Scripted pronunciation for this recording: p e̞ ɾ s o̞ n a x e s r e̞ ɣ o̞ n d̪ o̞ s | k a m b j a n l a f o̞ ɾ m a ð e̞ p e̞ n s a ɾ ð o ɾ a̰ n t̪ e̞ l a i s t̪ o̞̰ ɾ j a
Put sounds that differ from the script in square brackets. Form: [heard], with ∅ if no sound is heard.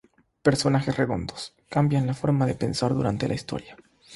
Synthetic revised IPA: p e̞ ɾ s o̞ n a x e s r e̞ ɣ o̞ n d̪ o̞ s | k a m b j a n l a f o̞ ɾ m a ð e̞ p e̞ n s a ɾ ð [u] ɾ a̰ n t̪ e̞ l a i s t̪ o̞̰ ɾ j a